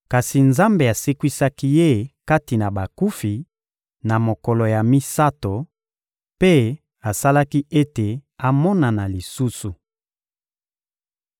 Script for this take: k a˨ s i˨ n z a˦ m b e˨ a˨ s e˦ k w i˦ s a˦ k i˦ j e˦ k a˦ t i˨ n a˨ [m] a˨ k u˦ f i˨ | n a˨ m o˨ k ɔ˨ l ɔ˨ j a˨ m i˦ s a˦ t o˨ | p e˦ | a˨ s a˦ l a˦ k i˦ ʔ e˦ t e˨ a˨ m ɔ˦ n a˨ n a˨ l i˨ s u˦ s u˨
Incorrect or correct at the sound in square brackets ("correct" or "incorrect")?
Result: incorrect